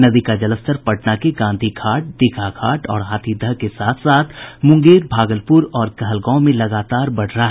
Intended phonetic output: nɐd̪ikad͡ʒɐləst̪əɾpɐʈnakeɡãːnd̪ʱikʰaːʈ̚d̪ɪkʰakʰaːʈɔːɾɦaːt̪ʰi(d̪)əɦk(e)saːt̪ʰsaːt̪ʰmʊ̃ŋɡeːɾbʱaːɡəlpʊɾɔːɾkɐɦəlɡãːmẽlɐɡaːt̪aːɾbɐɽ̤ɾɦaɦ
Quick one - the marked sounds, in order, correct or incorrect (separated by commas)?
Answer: correct, correct